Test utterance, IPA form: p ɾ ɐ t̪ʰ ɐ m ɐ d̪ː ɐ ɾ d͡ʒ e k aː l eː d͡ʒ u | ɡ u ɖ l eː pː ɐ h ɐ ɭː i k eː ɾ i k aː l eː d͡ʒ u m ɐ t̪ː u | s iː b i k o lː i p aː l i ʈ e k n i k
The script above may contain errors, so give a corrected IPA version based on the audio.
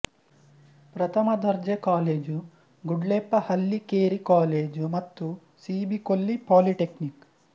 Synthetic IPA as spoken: p ɾ ɐ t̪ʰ ɐ m ɐ d̪ ɐ ɾ d͡ʒ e k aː l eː d͡ʒ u | ɡ u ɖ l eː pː ɐ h ɐ lː i k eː ɾ i k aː l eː d͡ʒ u m ɐ t̪ː u | s iː b i k o lː i p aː l i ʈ e k n i k